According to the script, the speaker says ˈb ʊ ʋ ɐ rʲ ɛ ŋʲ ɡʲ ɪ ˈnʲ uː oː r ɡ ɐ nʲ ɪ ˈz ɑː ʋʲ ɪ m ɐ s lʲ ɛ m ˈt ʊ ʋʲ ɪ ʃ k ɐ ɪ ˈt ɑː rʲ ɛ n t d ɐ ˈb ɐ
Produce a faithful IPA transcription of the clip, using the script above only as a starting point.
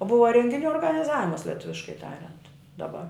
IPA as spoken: ˈb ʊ ʋ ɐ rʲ ɛ ŋʲ ɡʲ ɪ ˈnʲ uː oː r ɡ ɐ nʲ ɪ ˈz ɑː ʋʲ ɪ m ɐ s lʲ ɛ ˈt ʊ ʋʲ ɪ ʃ k ɐ ɪ ˈt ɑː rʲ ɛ n t d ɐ ˈb ɐ